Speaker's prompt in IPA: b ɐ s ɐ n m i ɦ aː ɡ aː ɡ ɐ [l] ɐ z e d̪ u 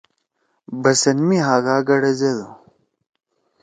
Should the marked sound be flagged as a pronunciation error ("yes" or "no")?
yes